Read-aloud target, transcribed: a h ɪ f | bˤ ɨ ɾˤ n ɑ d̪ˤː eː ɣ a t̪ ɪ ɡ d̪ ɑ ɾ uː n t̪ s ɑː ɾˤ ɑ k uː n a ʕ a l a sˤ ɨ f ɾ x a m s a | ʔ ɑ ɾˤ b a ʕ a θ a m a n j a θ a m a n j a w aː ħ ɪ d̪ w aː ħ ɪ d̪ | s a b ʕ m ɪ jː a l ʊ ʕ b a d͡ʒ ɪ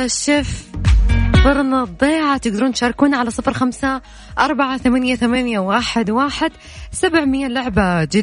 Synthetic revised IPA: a ʃ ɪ f | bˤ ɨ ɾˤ n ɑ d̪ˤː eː ʕ a t̪ ɪ ɡ d̪ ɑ ɾ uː n t̪ ʃ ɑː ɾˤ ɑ k uː n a ʕ a l a sˤ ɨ f ɾ x a m s a | ʔ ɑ ɾˤ b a ʕ a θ a m a n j a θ a m a n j a w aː ħ ɪ d̪ w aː ħ ɪ d̪ | s a b ʕ m ɪ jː a l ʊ ʕ b a d͡ʒ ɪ